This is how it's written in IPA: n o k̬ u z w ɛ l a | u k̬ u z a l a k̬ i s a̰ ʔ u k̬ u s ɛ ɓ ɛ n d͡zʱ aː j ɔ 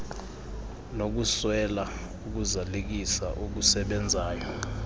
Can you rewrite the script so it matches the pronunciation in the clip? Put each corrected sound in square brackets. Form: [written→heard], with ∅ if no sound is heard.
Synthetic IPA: n o k̬ u [z→s] w ɛ l a | u k̬ u z a l [a→e] k̬ i s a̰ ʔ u k̬ u s ɛ ɓ ɛ n d͡zʱ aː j ɔ